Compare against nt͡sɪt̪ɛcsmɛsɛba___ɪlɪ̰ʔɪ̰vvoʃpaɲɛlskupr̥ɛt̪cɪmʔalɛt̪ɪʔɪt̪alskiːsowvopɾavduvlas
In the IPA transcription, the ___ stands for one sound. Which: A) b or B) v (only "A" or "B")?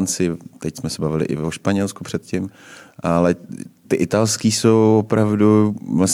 B